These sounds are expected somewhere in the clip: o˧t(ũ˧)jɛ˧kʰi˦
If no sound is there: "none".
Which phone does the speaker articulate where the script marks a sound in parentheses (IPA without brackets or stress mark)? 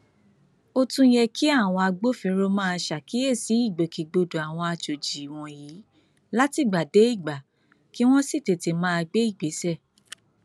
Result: ũ˧